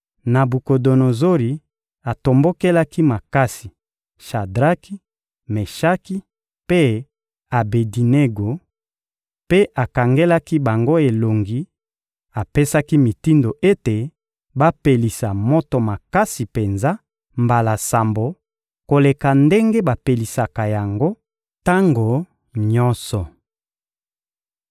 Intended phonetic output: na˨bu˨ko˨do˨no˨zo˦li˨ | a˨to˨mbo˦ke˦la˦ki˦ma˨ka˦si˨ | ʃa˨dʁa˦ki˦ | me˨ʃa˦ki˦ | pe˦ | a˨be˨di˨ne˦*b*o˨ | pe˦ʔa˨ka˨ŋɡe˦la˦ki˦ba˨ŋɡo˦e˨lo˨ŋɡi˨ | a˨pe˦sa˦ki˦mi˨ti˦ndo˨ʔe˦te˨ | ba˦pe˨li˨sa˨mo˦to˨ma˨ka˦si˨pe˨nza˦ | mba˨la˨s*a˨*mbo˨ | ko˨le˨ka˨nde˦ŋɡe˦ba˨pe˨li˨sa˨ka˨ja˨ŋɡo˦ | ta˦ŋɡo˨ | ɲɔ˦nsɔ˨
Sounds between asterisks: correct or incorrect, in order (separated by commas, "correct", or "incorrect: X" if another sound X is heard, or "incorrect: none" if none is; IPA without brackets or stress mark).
incorrect: ɡ, correct